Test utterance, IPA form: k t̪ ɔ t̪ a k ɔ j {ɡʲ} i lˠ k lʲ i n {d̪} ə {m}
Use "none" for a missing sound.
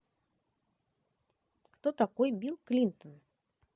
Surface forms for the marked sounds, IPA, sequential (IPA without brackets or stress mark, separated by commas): bʲ, t̪, n